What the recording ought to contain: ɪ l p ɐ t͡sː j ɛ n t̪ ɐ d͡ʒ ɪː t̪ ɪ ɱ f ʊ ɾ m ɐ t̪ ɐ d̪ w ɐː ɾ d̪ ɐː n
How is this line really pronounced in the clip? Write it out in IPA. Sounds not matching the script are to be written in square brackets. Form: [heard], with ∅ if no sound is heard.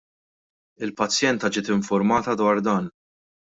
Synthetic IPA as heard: ɪ l p ɐ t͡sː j ɛ n t̪ ɐ d͡ʒ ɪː t̪ ɪ ɱ f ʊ ɾ m [ɐː] t̪ ɐ d̪ w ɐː ɾ d̪ ɐː n